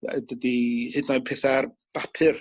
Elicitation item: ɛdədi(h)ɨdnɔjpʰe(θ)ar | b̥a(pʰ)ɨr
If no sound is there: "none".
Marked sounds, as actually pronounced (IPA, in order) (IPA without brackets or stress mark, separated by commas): h, θ, pʰ